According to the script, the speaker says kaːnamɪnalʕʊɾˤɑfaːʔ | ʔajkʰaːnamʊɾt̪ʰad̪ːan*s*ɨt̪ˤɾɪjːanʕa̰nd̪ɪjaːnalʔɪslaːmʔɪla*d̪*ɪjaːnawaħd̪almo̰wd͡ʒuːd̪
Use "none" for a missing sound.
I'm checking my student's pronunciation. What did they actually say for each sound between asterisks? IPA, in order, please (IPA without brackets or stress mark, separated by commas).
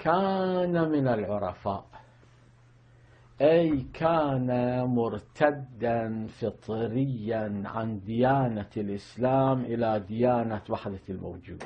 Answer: f, d̪